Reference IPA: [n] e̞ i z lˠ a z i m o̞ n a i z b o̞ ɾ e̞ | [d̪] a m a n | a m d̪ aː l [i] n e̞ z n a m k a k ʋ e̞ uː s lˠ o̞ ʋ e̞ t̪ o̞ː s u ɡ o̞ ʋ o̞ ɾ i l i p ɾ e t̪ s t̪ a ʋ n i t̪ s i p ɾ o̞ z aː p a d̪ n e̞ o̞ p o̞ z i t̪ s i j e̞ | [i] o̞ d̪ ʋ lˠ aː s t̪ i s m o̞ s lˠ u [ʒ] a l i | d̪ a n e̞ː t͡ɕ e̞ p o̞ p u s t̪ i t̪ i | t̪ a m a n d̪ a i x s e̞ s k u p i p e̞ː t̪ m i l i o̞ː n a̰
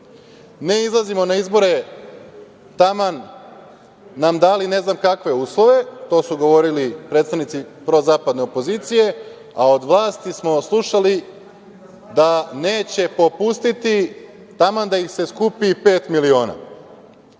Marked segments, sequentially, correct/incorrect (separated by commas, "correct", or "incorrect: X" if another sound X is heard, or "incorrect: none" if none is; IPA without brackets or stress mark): correct, incorrect: t̪, correct, incorrect: a, incorrect: ʃ